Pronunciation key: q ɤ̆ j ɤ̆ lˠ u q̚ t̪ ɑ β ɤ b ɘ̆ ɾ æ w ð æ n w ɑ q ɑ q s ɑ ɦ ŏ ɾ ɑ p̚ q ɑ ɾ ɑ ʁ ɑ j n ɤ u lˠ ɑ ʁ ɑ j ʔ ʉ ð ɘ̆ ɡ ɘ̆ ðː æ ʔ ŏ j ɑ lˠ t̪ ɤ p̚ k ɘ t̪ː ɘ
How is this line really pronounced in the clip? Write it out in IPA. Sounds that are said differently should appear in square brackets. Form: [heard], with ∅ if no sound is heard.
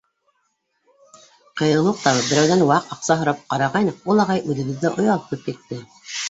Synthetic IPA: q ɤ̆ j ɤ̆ lˠ u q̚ t̪ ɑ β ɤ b ɘ̆ ɾ æ w ð æ n w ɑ q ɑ q s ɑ ɦ ŏ ɾ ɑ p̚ q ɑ ɾ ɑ ʁ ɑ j n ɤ u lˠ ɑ ʁ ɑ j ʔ ʉ ð ɘ̆ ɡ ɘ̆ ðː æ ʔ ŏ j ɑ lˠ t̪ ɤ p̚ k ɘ t̪ː ɘ